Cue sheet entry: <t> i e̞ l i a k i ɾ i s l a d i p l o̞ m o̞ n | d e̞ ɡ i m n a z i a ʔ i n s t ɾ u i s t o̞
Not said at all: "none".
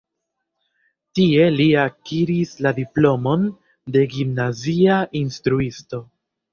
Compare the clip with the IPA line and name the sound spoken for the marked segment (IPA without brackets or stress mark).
t